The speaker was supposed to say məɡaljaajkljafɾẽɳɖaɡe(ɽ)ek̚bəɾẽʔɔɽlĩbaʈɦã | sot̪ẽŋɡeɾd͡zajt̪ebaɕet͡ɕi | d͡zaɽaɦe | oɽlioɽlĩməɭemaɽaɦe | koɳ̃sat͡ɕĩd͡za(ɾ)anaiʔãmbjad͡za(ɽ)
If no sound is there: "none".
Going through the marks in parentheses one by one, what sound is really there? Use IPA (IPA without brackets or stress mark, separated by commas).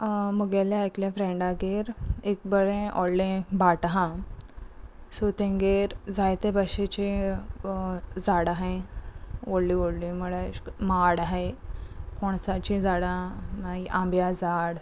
ɾ, ɽ, ɽ